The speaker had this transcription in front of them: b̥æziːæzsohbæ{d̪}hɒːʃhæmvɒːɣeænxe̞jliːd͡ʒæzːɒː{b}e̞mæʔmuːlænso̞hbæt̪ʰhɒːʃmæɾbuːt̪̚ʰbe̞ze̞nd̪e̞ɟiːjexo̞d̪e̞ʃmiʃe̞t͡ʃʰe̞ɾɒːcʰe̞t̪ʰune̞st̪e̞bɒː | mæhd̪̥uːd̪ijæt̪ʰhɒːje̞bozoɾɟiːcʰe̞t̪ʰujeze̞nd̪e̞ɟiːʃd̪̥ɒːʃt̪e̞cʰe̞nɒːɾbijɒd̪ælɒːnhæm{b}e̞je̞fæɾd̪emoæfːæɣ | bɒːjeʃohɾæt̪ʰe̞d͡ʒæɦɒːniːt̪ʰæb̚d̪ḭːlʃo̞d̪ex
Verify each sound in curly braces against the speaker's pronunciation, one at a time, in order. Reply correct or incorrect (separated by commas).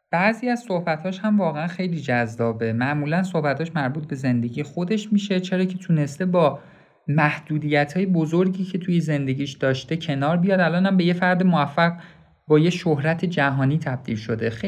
incorrect, correct, correct